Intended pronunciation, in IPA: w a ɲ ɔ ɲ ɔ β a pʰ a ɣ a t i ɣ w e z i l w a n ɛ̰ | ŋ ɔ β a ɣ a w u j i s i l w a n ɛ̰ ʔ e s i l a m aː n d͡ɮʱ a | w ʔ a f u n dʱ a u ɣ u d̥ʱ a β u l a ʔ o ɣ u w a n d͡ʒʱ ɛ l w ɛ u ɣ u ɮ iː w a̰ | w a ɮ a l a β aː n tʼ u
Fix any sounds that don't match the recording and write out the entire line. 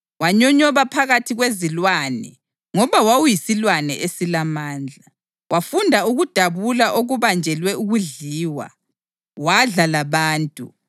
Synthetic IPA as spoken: w a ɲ ɔ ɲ ɔ β a pʰ a ɣ a tʰ i ɣ w e z i l w a n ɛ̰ | ŋ ɔ β a w a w u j i s i l w a n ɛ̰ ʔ e s i l a m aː n d͡ɮʱ a | w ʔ a f u n dʱ a u ɣ u d̥ʱ a β u l a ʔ o ɣ u β a n d͡ʒʱ ɛ l w ɛ u ɣ u ɮ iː w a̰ | w a ɮ a l a β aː n tʼ u